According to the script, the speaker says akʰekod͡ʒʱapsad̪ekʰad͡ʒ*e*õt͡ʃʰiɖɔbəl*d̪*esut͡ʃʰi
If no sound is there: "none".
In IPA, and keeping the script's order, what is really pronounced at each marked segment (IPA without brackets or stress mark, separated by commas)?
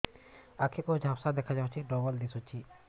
a, d̪